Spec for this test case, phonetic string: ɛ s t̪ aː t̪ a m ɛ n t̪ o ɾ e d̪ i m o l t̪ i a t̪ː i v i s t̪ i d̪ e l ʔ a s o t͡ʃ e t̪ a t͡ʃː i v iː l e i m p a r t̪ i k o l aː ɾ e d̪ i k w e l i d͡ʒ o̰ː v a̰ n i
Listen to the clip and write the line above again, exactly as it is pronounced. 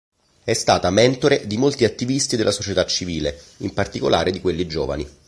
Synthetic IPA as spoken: ɛ s t̪ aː t̪ a m ɛ n t̪ o ɾ e d̪ i m o l t̪ i a t̪ː i v i s t̪ i d̪ e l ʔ a s o t͡ʃ e t̪ a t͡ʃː i v iː l e i m p a r t̪ i k o l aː ɾ e d̪ i k w e lː i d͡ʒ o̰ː v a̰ n i